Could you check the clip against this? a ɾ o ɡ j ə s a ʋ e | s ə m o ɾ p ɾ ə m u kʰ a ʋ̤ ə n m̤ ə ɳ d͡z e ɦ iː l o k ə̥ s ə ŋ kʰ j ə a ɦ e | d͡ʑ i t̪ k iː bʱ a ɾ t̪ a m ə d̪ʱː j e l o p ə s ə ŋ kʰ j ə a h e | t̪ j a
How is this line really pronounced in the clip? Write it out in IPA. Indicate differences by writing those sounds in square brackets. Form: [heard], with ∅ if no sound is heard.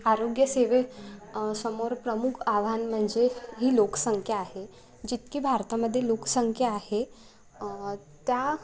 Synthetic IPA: a ɾ o ɡ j ə s [e] ʋ e | s ə m o ɾ p ɾ ə m u kʰ a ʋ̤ [a] n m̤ ə ɳ d͡z e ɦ iː l o k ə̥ s ə ŋ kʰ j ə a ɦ e | d͡ʑ i t̪ k iː bʱ a ɾ t̪ a m ə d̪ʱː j e l o [k] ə s ə ŋ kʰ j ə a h e | t̪ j a

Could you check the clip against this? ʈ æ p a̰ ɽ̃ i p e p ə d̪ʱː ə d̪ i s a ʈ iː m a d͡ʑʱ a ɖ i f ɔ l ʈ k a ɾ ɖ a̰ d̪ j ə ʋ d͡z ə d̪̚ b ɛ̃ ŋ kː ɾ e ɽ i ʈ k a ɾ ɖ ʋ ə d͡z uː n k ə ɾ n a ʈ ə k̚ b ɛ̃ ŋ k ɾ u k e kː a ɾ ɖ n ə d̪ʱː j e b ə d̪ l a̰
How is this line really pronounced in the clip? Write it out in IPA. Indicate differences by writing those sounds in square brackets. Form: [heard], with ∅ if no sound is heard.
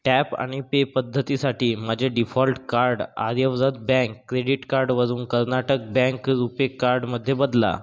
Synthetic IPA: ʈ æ p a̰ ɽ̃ i p e p ə d̪ʱː ə [t̪] i s a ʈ iː m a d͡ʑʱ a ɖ i f ɔ l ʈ k a ɾ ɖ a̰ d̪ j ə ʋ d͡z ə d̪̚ b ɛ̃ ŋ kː ɾ e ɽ i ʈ k a ɾ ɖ ʋ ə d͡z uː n k ə ɾ n a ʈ ə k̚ b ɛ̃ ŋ k ɾ u [p] e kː a ɾ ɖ [m] ə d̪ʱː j e b ə d̪ l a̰

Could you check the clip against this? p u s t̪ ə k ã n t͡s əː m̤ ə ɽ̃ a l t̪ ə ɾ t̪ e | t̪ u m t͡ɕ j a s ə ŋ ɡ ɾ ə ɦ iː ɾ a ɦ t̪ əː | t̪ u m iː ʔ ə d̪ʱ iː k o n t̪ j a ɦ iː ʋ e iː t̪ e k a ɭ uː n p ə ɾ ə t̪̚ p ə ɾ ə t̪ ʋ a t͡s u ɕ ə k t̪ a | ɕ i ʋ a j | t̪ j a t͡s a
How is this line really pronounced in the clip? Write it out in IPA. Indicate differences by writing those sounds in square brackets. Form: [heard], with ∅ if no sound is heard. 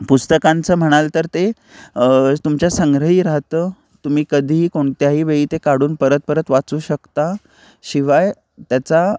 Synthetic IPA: p u s t̪ ə k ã n t͡s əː m̤ ə ɽ̃ a l t̪ ə ɾ t̪ e | t̪ u m t͡ɕ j a s ə ŋ ɡ ɾ ə ɦ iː ɾ a ɦ t̪ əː | t̪ u m iː [k] ə d̪ʱ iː k o [ɳ] t̪ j a ɦ iː ʋ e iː t̪ e k a [ɽ] uː n p ə ɾ ə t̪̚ p ə ɾ ə t̪ ʋ a t͡s [uː] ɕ ə k t̪ a | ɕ i ʋ a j | t̪ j a t͡s a

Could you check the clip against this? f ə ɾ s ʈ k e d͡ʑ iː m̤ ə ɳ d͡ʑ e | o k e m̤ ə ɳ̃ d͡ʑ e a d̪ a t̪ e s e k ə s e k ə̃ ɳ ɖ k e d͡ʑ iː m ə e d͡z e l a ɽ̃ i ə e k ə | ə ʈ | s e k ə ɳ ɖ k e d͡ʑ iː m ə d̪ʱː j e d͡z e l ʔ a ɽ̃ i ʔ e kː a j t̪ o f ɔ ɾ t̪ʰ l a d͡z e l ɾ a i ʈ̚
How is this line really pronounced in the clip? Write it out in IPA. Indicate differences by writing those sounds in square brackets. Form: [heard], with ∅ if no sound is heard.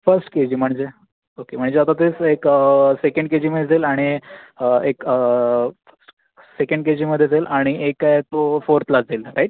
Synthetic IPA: f ə ɾ s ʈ k e d͡ʑ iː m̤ ə ɳ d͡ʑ e | o k e m̤ ə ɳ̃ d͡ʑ e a [t̪] a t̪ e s e k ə s e k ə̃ ɳ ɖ k e d͡ʑ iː m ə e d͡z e l a ɽ̃ i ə e k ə | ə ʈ | s e k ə ɳ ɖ k e d͡ʑ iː m ə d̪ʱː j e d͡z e l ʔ a ɽ̃ i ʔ e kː a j t̪ o f [o] ɾ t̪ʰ l a d͡z e l ɾ a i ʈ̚

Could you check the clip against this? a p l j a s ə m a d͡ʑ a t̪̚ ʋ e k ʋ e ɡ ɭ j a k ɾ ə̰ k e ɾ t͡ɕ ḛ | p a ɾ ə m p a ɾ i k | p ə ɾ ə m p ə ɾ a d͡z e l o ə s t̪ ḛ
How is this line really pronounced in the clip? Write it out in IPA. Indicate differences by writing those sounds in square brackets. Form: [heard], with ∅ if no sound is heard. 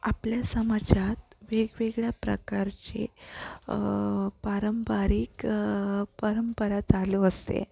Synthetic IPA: a p l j a s ə m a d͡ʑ a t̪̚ ʋ e [ɡ] ʋ e ɡ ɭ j a [p] ɾ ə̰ k [a] ɾ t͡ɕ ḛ | p a ɾ ə m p a ɾ i k | p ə ɾ ə m p ə ɾ a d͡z [a] l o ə s t̪ ḛ

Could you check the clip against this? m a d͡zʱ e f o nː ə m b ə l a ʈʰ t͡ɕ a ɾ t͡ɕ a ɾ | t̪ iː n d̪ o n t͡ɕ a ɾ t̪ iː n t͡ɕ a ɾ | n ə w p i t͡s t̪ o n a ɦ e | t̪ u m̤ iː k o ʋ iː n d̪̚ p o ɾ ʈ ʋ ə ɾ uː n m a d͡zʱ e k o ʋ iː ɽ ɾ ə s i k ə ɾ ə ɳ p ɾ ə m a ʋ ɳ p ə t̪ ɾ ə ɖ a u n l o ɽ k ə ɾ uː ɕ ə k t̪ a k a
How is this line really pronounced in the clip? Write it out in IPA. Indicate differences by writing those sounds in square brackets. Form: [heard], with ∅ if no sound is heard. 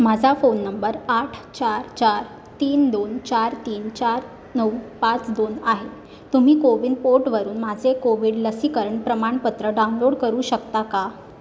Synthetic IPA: m a d͡zʱ [a] f o nː ə m b ə [ɾ] a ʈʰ t͡ɕ a ɾ t͡ɕ a ɾ | t̪ iː n d̪ o n t͡ɕ a ɾ t̪ iː n t͡ɕ a ɾ | n ə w p [a] t͡s [d̪] o n a ɦ e | t̪ u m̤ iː k o ʋ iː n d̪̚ p o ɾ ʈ ʋ ə ɾ uː n m a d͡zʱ e k o ʋ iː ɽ [l] ə s i k ə ɾ ə ɳ p ɾ ə m a [∅] ɳ p ə t̪ ɾ ə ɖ a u n l o ɽ k ə ɾ uː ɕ ə k t̪ a k a

